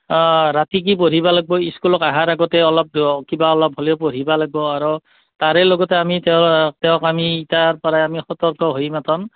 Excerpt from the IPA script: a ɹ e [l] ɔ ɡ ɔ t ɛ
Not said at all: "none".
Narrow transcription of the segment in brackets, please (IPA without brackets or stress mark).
l